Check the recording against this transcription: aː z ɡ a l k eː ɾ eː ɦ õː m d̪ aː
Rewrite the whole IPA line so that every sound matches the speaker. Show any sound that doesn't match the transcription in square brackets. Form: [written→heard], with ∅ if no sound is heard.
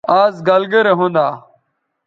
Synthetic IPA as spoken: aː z ɡ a l [k→ɡ] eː ɾ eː ɦ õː [m→n] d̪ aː